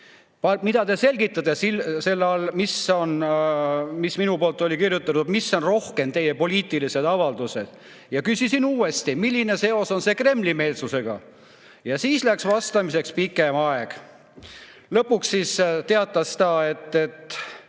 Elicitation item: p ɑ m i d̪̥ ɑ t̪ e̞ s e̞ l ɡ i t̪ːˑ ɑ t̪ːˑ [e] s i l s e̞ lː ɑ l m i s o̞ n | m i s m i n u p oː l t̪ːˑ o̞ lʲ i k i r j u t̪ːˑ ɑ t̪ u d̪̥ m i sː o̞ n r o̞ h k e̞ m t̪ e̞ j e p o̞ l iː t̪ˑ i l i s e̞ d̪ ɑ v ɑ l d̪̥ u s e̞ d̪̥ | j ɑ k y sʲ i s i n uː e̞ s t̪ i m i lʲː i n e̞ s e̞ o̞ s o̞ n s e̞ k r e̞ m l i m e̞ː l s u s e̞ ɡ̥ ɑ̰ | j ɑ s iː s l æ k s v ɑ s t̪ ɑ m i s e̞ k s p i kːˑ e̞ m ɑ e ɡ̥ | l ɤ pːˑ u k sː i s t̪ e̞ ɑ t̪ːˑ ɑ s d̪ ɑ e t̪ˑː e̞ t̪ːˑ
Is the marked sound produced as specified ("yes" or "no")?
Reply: yes